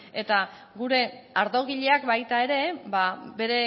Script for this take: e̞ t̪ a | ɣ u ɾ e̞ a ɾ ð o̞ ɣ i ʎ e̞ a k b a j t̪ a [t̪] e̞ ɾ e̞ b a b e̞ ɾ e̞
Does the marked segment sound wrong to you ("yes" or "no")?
yes